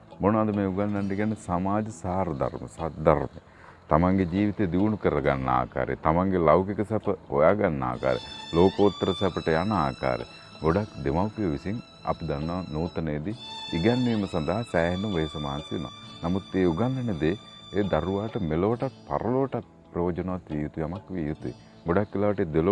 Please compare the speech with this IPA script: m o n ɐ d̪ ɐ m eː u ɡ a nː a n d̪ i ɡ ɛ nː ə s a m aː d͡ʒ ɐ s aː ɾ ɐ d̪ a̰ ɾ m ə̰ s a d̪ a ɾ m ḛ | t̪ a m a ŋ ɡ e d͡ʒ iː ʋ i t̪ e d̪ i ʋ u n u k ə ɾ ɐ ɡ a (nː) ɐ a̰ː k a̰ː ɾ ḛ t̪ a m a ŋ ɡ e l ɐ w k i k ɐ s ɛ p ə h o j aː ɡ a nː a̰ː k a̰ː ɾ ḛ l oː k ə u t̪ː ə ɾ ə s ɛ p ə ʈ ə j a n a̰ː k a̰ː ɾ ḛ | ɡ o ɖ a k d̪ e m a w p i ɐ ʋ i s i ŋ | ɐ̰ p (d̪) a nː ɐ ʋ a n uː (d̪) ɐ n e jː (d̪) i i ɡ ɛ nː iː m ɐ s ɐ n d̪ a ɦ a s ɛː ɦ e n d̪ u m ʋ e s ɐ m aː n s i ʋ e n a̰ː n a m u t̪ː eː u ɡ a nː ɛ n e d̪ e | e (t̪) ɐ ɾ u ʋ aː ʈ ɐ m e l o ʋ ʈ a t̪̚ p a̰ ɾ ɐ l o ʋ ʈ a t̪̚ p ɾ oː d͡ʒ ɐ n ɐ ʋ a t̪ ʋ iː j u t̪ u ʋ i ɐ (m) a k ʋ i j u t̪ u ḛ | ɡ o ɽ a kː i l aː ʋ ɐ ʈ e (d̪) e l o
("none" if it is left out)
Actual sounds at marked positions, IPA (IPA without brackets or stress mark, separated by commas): nː, d̪, t̪, d̪, d̪, m, d̪